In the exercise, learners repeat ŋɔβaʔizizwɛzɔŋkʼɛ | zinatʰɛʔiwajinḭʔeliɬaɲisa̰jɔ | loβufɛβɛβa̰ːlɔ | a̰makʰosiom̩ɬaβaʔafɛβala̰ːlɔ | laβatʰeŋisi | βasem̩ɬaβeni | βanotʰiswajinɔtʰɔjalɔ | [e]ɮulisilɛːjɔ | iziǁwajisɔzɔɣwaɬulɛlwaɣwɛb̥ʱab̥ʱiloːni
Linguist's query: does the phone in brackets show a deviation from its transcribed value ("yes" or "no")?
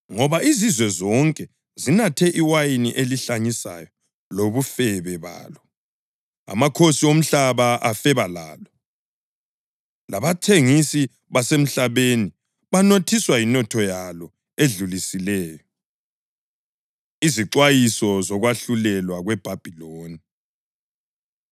no